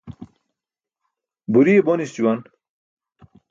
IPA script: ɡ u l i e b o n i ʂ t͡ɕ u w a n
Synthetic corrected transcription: b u ɾ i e b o n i s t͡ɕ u w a n